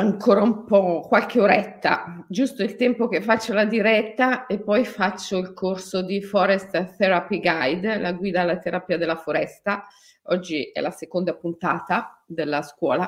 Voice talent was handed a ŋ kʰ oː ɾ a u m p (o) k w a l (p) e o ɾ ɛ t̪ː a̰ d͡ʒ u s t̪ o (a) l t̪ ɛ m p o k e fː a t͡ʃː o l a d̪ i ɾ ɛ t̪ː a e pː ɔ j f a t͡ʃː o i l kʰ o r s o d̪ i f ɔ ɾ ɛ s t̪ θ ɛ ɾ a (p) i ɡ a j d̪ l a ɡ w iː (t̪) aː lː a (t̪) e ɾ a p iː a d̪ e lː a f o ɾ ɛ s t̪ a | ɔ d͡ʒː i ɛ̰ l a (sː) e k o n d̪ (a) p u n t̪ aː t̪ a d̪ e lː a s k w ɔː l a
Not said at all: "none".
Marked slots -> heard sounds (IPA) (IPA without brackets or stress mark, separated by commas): ɔ, k, i, p, d̪, t̪, s, a